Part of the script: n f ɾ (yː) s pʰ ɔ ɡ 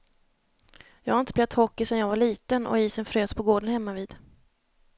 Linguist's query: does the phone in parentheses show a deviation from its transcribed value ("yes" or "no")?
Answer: yes